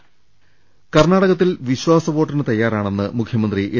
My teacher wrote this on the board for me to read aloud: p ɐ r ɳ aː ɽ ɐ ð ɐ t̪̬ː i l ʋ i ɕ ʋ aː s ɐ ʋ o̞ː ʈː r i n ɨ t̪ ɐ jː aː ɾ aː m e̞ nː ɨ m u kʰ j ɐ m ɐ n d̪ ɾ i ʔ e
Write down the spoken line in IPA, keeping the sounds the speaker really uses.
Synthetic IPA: k ɐ r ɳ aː ɽ ɐ ɣ ɐ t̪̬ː i l ʋ i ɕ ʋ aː s ɐ ʋ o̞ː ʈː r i n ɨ t̪ ɐ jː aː ɾ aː ɳ e̞ nː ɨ m u kʰ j ɐ m ɐ n d̪ r i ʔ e